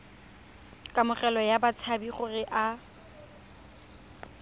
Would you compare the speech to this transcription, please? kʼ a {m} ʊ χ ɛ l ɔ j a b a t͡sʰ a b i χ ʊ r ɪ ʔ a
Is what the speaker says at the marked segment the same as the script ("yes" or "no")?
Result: yes